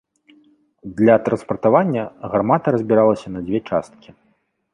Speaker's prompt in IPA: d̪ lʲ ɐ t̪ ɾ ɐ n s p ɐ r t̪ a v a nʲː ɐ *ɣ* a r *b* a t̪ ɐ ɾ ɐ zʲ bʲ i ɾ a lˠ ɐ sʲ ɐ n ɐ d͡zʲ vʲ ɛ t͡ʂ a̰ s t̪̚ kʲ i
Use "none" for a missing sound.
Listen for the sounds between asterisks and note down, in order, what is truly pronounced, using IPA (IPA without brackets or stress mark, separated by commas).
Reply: ɣ, m